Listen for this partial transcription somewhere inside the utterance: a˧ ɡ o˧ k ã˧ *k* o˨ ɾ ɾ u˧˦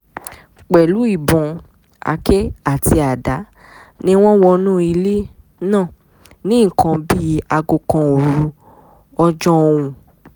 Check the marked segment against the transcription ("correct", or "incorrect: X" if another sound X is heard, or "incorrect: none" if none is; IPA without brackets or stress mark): incorrect: none